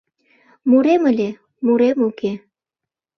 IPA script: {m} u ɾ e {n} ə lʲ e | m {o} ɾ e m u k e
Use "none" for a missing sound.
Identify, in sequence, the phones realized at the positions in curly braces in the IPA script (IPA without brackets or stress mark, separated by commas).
m, m, u